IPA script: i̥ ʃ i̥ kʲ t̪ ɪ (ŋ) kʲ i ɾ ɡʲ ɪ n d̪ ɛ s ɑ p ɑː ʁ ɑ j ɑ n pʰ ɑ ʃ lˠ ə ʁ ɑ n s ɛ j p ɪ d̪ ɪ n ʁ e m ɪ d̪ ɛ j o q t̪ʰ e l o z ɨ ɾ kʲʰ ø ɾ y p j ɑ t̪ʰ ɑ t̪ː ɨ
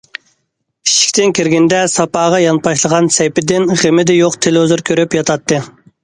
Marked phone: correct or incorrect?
incorrect